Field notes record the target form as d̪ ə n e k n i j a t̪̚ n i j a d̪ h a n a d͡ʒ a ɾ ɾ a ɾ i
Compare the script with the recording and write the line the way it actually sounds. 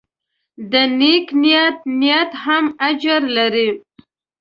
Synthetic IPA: d̪ ə n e k n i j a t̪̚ n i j a t̪ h a m a d͡ʒ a ɾ l a ɾ i